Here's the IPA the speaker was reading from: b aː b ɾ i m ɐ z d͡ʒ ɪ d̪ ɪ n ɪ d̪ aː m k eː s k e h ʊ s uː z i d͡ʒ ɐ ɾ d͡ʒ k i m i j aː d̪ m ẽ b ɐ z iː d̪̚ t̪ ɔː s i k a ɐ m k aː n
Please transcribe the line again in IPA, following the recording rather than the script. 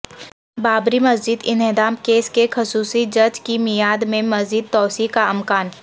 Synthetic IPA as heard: b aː b ɾ i m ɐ z d͡ʒ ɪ d̪ ɪ n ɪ d̪ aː m k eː s k e x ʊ s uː s i d͡ʒ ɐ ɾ d͡ʒ k i m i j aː d̪ m ẽ m ɐ z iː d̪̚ t̪ ɔː s i k a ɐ m k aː n